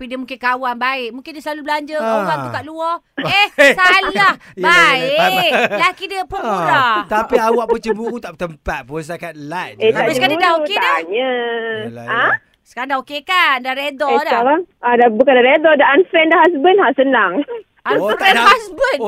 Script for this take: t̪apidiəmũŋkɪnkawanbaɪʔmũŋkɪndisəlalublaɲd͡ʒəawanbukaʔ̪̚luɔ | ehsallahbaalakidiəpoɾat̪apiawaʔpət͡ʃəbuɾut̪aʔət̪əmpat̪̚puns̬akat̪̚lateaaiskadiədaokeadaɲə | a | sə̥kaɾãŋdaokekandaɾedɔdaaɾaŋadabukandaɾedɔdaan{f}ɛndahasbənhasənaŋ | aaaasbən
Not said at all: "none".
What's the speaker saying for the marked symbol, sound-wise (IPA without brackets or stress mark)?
f